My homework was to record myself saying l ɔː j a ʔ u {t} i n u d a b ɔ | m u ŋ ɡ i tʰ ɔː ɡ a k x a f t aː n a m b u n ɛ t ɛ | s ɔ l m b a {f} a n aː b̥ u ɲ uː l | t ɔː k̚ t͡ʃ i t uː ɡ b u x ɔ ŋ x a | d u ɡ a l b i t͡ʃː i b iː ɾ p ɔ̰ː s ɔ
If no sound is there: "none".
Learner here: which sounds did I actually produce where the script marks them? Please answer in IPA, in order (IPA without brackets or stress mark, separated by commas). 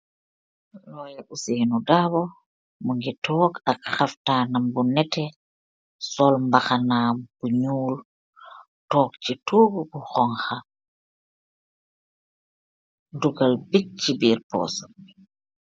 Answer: s, x